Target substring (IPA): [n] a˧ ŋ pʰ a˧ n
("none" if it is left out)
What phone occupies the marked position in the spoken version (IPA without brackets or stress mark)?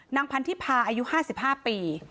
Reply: n